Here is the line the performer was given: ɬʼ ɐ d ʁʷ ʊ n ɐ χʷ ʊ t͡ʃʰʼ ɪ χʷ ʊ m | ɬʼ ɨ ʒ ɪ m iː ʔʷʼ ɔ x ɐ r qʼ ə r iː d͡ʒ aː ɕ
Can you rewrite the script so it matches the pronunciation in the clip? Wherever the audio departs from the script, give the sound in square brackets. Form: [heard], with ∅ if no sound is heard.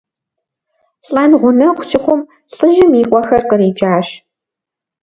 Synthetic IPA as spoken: ɬʼ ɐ [n] ʁʷ ʊ n ɐ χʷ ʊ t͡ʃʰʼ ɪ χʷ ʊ m | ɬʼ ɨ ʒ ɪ m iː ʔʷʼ ɔ x ɐ r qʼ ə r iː d͡ʒ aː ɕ